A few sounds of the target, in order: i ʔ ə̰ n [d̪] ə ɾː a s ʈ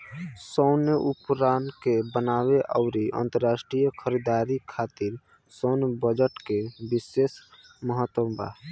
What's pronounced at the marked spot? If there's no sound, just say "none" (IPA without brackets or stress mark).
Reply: t̪